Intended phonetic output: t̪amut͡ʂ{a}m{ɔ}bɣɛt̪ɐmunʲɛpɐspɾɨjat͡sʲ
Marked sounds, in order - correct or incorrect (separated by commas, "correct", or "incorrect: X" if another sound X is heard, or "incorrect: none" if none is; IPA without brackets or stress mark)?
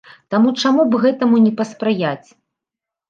correct, incorrect: u